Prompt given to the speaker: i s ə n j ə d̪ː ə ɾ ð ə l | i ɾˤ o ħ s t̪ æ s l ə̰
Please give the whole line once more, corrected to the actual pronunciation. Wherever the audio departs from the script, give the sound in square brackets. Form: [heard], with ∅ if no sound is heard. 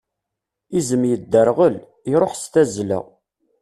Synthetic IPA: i [z] ə [m] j ə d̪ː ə ɾ [ʁ] ə l | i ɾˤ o ħ s t̪ æ [z] l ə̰